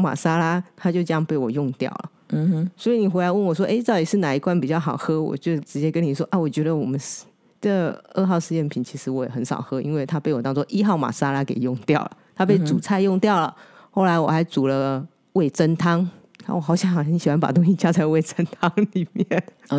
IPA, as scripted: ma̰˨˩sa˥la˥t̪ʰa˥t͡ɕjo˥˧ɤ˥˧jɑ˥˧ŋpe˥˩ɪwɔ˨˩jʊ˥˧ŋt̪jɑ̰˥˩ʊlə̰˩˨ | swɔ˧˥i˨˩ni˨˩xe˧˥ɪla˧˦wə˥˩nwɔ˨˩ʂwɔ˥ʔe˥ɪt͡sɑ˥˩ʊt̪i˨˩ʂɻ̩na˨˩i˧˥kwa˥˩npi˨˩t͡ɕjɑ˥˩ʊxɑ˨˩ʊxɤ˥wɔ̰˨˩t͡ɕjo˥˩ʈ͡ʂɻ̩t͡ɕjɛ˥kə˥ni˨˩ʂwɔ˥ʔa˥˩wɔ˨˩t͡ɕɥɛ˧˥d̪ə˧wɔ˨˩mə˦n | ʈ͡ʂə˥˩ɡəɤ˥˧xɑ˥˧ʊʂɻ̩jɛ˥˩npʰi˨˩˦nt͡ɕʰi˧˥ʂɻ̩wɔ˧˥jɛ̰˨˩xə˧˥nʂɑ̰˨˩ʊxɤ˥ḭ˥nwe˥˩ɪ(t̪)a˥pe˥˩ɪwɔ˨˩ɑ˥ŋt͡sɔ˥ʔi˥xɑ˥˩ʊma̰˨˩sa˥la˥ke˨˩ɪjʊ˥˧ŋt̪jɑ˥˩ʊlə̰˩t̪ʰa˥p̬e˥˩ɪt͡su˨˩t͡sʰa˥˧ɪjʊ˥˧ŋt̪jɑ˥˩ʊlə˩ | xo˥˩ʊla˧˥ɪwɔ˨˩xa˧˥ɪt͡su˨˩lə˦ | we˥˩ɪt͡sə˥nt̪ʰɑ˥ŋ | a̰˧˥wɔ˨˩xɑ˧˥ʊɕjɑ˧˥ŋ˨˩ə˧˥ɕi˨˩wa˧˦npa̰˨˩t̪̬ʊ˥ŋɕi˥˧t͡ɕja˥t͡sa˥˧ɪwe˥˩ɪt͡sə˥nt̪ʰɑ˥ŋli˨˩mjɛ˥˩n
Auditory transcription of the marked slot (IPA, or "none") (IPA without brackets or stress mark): t̪ʰ